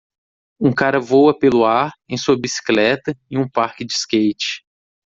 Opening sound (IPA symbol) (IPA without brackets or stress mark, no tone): ũ